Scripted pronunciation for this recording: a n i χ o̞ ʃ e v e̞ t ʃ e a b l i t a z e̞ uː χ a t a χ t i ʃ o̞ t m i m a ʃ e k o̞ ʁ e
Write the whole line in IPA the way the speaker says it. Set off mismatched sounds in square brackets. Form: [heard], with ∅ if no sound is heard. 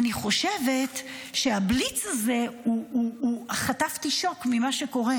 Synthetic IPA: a n i χ o̞ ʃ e v e̞ t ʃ e a b l i [t͡s] a z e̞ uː χ a t a [f] t i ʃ o̞ [k] m i m a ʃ e k o̞ ʁ e